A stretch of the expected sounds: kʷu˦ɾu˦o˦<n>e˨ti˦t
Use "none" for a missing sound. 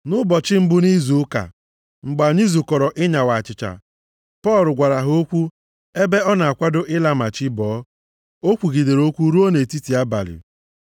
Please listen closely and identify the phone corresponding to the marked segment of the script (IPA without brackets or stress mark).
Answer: n